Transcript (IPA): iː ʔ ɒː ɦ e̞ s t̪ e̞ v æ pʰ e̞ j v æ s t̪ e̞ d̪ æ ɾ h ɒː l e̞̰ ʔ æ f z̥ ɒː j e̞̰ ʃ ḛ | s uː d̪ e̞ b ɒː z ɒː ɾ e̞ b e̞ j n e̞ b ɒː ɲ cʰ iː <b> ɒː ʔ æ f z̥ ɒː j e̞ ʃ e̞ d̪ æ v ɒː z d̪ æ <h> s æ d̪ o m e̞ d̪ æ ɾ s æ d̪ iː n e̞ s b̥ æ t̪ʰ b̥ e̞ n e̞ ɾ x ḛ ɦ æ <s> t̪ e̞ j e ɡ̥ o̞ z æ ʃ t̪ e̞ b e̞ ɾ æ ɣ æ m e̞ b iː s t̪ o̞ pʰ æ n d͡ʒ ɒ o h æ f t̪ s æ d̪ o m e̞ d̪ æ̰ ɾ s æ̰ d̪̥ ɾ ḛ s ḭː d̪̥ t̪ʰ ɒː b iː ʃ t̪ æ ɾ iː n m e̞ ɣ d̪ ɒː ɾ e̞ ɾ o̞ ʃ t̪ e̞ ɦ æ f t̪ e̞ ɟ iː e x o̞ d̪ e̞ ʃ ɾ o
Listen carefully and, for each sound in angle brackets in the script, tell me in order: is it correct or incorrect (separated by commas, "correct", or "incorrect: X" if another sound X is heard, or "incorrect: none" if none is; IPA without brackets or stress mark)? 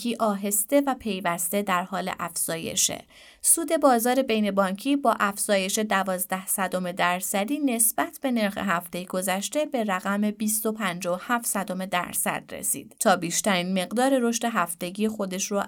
correct, correct, incorrect: f